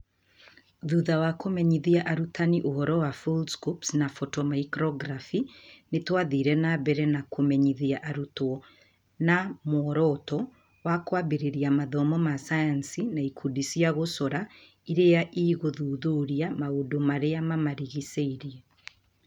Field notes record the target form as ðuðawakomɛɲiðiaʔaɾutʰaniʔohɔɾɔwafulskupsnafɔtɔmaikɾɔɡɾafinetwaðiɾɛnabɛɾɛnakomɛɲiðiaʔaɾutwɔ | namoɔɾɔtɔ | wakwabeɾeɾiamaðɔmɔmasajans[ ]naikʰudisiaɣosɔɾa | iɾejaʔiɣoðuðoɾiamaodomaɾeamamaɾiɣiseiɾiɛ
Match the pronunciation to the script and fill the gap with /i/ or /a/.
i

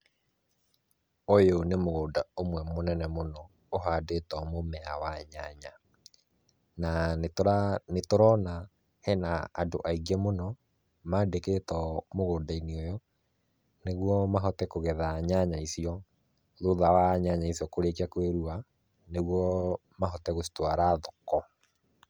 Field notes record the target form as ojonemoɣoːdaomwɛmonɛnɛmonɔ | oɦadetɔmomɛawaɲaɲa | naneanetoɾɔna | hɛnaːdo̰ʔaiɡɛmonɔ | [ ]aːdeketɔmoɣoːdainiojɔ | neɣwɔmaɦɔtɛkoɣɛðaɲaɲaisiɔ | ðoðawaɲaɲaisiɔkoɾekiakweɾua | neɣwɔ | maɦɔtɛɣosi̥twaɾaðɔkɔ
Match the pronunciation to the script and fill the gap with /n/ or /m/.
m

